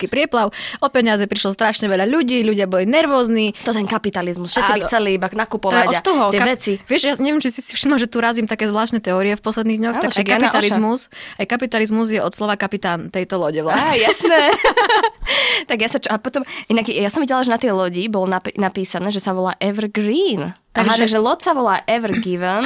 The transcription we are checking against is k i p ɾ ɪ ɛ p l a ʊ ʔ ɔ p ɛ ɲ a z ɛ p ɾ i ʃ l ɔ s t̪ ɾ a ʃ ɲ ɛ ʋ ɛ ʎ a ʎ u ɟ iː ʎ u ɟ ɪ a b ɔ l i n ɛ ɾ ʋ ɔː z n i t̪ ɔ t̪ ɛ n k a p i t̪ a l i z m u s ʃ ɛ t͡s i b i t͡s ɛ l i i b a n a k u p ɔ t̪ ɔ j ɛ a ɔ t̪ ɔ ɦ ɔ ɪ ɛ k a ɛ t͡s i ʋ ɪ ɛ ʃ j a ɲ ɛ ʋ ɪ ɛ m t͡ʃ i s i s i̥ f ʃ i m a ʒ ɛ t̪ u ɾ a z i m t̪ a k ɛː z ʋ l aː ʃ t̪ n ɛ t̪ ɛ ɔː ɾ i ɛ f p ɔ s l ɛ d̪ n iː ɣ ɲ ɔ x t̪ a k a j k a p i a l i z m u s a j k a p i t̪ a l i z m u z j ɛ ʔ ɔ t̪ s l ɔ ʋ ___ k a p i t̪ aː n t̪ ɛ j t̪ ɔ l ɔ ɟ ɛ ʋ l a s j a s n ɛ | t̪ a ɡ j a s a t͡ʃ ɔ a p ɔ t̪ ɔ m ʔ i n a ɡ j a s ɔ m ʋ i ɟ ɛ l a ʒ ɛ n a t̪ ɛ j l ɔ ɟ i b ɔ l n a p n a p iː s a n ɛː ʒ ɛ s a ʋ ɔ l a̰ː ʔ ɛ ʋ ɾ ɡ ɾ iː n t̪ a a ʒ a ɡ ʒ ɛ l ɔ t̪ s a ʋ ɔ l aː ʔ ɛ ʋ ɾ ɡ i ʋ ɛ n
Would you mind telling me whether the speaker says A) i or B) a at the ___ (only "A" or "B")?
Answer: B